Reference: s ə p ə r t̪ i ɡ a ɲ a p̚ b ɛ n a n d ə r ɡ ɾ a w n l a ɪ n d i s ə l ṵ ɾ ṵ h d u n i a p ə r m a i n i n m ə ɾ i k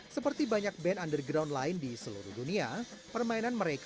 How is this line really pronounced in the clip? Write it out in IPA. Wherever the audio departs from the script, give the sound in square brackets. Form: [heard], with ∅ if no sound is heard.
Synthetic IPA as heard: s ə p ə r t̪ i [b] a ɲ a [k̚] b ɛ n a n d ə r ɡ ɾ a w n l a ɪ n d i s ə l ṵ ɾ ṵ h d u n i a p ə r m a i n [a] n m ə ɾ [e] k

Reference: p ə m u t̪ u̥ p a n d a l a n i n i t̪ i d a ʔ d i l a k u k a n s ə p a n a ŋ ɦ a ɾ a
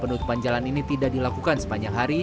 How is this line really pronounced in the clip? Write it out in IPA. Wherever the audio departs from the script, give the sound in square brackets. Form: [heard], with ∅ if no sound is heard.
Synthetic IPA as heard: p ə [n] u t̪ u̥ p a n [d͡ʒ] a l a n i n i t̪ i d a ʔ d i l a k u k a n s ə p a [ɲ] a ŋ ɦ a ɾ [i]

